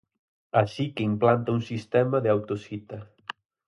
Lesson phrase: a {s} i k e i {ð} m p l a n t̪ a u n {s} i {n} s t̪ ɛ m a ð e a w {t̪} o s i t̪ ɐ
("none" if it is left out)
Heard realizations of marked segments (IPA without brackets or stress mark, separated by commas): ʃ, none, s, none, t̪